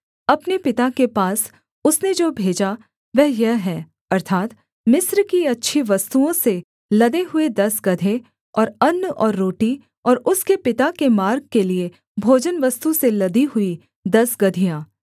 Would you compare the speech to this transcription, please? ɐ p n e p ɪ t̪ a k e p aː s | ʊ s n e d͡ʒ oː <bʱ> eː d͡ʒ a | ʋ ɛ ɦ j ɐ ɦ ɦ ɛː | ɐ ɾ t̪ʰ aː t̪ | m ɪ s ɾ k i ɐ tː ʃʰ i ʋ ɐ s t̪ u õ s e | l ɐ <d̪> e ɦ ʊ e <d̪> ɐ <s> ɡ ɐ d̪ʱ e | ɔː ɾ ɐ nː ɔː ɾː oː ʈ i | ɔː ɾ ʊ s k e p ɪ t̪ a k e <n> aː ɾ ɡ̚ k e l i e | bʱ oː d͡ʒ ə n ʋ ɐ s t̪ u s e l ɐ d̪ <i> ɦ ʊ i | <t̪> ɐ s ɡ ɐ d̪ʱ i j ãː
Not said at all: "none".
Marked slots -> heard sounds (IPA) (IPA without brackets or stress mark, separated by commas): bʱ, d̪, d̪, s, m, i, d̪